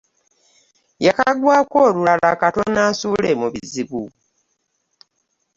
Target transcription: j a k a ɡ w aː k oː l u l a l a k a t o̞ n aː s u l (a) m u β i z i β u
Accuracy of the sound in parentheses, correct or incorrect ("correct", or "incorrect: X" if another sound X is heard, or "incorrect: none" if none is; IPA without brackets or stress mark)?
incorrect: e